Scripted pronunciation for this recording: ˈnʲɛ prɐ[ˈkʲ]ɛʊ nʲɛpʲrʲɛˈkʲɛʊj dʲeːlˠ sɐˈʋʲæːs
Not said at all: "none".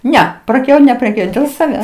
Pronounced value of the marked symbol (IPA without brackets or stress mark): kʲ